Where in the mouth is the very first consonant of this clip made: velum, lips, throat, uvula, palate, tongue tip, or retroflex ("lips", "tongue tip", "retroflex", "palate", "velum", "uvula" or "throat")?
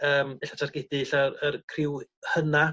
lips